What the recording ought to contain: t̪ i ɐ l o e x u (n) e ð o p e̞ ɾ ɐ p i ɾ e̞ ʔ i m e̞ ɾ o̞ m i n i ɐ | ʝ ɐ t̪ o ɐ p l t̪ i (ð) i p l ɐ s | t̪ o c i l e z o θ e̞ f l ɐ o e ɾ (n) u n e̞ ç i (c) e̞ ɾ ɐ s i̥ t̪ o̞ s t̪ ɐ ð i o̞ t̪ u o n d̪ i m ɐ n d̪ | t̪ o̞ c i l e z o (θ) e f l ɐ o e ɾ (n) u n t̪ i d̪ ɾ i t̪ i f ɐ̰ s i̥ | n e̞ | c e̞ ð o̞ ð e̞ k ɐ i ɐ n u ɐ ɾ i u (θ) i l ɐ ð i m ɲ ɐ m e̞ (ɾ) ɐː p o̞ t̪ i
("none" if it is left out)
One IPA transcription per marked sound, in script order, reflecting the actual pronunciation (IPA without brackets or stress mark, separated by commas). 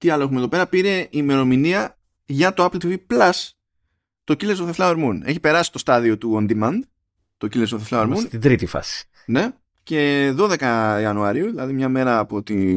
m, v, m, p, θ, m, ð, ɾ